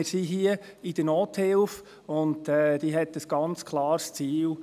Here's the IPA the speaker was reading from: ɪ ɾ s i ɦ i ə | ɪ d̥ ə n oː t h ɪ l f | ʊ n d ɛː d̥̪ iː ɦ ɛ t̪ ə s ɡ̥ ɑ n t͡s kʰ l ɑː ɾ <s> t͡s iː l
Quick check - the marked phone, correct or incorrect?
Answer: correct